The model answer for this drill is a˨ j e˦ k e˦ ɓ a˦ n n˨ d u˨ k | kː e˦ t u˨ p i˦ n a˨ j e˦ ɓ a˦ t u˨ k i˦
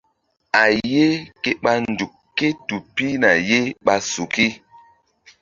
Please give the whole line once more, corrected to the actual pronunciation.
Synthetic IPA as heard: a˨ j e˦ k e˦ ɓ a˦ n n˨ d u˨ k | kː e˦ t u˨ p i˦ n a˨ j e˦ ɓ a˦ s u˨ k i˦